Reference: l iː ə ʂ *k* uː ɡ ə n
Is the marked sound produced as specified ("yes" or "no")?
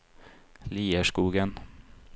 yes